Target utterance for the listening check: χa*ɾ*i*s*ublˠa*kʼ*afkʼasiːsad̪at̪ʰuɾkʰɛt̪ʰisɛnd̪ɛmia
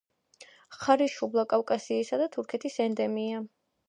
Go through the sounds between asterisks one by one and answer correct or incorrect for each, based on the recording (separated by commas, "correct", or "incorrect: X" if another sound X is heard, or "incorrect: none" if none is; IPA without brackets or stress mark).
correct, incorrect: ʃ, correct